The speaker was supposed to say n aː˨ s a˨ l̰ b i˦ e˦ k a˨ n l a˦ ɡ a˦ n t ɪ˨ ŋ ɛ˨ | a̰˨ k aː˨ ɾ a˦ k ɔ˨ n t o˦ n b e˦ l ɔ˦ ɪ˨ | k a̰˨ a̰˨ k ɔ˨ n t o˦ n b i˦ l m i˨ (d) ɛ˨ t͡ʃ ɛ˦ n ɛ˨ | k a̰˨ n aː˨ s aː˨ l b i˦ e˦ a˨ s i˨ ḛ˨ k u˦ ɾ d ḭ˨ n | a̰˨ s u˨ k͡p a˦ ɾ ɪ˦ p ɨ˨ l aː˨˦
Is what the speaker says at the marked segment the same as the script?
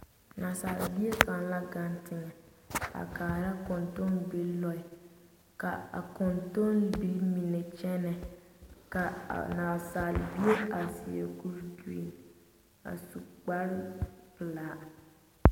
no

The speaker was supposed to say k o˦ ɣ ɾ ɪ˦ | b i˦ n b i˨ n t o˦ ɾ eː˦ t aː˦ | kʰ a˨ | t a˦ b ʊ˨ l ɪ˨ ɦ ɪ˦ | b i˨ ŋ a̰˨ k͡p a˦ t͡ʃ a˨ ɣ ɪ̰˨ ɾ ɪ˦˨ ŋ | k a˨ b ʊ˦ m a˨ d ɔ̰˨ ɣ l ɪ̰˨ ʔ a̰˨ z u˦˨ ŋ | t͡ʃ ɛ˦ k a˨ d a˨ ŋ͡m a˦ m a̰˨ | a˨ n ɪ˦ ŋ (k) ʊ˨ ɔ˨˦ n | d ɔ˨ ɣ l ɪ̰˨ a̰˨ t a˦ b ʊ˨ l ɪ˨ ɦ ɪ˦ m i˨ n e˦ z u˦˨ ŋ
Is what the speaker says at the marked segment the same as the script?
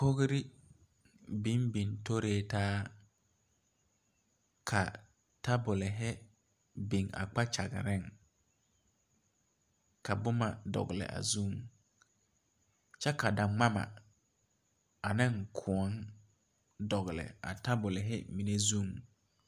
no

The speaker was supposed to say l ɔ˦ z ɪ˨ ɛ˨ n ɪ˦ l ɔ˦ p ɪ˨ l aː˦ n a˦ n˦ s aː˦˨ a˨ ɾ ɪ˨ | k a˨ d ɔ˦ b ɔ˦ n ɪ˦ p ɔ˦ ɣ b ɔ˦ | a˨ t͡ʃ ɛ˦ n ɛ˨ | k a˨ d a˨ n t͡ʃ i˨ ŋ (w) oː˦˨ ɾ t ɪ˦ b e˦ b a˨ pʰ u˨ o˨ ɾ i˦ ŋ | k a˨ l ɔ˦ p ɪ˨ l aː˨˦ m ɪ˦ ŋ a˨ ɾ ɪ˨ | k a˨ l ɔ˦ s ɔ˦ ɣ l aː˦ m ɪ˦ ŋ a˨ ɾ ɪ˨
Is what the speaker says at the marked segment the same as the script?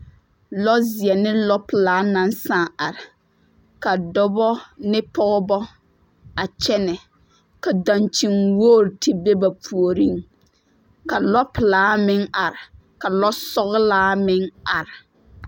yes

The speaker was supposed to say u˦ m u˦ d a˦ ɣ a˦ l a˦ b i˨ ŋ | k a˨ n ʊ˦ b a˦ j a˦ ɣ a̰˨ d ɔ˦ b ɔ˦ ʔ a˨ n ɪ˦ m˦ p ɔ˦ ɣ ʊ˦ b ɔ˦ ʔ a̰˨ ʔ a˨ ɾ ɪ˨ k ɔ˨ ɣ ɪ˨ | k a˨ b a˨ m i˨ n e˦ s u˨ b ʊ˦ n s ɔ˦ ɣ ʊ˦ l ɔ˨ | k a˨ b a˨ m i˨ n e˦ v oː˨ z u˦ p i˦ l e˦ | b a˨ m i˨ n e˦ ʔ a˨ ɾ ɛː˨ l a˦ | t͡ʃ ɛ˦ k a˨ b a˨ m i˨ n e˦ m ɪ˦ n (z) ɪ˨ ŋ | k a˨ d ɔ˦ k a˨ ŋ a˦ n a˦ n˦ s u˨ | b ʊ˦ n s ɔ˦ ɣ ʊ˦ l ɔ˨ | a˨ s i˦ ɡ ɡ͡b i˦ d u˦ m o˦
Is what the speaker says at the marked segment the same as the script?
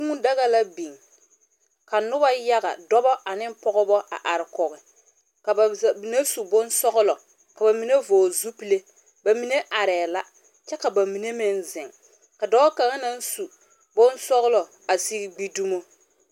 yes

